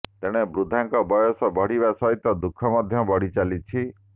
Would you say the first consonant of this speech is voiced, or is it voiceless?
voiceless